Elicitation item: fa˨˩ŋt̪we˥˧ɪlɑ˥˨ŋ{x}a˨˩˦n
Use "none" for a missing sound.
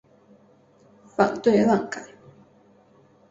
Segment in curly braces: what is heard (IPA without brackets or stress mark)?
k